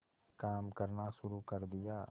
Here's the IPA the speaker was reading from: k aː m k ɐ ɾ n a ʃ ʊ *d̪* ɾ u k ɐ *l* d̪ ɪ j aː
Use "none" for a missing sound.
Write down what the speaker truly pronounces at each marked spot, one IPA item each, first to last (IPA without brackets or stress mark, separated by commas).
none, ɾ